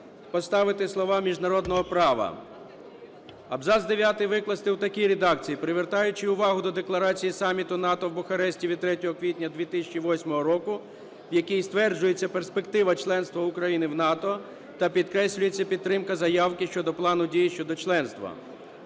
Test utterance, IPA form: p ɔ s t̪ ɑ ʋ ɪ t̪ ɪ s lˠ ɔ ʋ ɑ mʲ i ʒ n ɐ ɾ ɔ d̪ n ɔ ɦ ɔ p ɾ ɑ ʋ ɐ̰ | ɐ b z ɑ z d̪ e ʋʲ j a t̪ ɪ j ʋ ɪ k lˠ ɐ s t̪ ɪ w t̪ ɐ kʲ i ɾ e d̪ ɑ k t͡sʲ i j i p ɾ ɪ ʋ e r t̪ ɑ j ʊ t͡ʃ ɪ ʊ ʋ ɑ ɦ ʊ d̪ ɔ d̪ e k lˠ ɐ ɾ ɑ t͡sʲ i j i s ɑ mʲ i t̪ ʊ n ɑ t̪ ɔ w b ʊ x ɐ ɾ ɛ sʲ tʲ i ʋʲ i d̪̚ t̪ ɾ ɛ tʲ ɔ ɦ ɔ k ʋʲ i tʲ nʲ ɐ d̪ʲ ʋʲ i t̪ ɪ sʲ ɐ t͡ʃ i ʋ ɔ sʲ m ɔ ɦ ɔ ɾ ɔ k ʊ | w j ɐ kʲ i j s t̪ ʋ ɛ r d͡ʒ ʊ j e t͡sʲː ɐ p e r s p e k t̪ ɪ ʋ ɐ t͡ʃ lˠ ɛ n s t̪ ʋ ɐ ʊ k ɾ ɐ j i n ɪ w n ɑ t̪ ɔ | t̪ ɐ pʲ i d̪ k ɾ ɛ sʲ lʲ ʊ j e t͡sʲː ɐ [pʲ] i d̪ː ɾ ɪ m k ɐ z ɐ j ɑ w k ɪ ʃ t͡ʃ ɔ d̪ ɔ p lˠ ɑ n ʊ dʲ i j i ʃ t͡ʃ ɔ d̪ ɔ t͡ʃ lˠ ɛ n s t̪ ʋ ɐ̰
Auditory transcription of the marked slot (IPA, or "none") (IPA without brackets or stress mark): pʲ